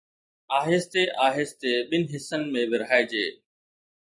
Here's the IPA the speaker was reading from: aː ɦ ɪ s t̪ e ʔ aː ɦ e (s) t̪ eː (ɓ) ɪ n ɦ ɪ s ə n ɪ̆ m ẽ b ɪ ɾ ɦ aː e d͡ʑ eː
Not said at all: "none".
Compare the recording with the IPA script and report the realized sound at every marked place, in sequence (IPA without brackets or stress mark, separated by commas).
s, ɓ